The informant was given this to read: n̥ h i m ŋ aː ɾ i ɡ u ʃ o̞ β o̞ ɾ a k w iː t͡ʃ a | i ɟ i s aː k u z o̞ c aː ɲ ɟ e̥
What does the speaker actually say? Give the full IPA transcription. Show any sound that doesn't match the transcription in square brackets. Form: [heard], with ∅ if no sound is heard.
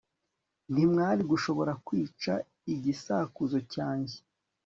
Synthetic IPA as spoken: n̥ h i m ŋ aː ɾ i ɡ u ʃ o̞ β o̞ ɾ a k w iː t͡ʃ a | i ɟ i s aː k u z o̞ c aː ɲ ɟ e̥